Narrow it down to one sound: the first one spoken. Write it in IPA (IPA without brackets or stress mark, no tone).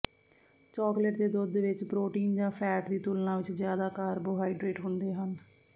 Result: t͡ʃ